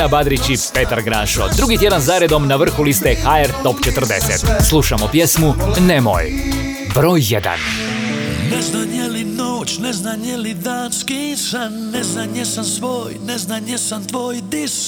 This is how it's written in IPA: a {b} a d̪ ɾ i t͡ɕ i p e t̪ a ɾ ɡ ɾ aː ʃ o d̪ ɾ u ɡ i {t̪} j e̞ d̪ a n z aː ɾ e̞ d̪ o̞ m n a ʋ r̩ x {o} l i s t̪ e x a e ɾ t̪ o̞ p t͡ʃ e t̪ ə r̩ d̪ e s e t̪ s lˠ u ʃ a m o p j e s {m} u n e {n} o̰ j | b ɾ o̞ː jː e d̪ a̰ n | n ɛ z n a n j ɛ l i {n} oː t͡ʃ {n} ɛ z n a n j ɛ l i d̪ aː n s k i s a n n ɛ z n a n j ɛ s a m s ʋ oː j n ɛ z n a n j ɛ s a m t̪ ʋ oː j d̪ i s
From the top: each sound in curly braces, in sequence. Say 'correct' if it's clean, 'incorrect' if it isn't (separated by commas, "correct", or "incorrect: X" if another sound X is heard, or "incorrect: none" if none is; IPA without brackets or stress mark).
correct, correct, incorrect: u, correct, incorrect: m, correct, correct